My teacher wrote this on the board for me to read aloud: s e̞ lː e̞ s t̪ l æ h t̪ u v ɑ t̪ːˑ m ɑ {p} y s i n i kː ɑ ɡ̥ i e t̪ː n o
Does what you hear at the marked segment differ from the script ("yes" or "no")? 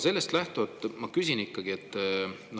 yes